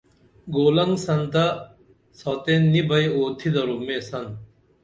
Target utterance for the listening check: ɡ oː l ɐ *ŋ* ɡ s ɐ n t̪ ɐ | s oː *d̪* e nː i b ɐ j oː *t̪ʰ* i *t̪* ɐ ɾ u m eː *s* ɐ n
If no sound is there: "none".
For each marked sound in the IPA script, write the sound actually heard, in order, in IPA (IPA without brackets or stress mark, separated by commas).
ŋ, t̪, t̪ʰ, d̪, s